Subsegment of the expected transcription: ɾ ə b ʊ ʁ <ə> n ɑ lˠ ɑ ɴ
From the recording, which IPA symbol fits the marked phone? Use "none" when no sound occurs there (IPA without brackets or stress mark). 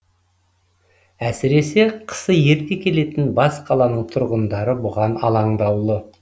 ɑ